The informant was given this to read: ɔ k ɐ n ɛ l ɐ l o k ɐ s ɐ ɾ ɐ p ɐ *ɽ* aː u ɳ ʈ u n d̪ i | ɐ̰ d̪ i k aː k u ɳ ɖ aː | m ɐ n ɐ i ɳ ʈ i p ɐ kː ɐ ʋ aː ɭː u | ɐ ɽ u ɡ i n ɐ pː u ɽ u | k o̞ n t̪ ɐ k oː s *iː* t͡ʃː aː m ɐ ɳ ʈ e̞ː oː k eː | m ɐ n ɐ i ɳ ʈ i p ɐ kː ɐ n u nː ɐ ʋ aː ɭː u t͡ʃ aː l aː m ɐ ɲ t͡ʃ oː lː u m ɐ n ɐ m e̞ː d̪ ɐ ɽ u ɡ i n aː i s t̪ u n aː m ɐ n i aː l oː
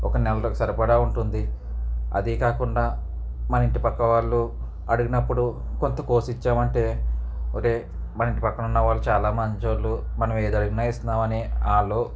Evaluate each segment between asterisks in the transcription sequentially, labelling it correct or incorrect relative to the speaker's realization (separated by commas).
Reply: correct, incorrect